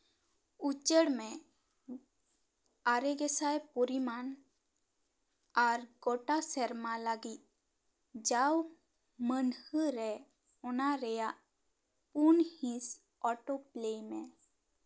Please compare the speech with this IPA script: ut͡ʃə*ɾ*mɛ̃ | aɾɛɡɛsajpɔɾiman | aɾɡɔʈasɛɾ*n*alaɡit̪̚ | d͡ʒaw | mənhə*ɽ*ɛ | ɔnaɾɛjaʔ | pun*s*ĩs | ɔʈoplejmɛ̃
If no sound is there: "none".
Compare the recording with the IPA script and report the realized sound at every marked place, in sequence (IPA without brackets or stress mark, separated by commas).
ɽ, m, ɾ, h